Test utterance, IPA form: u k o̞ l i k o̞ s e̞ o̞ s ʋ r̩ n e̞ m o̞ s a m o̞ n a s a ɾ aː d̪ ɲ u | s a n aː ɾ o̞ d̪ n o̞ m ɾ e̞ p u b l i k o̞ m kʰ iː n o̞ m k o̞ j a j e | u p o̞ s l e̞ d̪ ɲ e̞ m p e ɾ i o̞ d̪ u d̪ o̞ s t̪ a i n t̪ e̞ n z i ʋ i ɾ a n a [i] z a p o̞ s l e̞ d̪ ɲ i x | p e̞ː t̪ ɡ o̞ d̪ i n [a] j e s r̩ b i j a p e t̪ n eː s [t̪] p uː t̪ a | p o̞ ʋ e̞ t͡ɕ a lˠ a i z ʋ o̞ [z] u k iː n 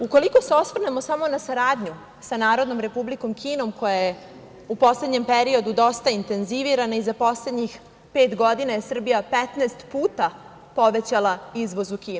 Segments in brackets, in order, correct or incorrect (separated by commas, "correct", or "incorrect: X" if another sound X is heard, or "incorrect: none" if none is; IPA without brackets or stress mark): correct, correct, correct, correct